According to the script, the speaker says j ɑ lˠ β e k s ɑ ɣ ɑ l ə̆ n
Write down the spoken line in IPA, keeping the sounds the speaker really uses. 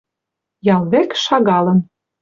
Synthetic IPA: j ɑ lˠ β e k ʃ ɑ ɣ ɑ l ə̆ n